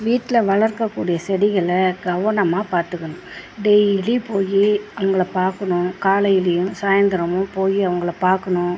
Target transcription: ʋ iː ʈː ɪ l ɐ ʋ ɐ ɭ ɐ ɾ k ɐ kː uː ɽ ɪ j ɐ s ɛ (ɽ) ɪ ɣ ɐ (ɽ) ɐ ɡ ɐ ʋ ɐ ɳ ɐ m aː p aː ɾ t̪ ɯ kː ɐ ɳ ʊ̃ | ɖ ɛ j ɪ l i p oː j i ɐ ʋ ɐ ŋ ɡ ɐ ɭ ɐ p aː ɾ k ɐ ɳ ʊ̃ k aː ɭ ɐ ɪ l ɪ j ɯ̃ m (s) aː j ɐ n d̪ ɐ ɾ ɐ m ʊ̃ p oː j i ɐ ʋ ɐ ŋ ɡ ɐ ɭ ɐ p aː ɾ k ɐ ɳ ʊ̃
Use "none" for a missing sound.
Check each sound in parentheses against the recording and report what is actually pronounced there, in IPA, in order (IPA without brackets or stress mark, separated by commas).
ɽ, ɭ, s